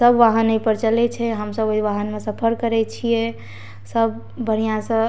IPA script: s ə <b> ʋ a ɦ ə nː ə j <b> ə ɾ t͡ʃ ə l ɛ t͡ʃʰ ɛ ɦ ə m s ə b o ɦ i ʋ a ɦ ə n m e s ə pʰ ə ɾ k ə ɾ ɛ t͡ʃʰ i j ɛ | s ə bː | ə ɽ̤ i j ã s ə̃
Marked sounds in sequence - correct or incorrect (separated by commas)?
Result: correct, incorrect